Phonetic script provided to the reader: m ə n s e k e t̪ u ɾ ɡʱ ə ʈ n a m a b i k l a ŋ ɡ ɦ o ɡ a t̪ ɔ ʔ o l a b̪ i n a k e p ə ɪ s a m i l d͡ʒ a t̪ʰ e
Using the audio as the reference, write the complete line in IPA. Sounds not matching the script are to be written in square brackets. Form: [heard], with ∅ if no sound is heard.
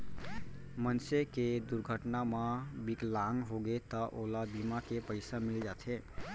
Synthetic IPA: m ə n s e k e [d̪] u ɾ ɡʱ ə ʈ n a m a b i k l a ŋ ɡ ɦ o ɡ [e] t̪ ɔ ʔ o l a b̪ i [m] a k e p ə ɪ s a m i l d͡ʒ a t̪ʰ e